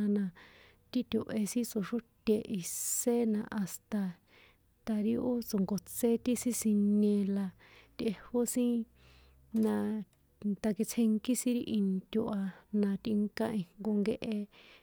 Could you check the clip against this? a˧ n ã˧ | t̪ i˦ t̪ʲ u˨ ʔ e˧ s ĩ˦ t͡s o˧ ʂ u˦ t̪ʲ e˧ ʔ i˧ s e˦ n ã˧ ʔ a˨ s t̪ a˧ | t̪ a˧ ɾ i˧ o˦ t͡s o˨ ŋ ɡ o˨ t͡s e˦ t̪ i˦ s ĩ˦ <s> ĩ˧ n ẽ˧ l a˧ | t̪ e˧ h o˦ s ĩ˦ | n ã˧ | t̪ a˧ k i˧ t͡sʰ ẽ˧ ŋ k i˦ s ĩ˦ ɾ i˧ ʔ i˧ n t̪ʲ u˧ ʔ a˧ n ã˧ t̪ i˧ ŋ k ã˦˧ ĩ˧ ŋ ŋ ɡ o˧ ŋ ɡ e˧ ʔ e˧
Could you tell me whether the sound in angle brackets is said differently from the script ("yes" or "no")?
no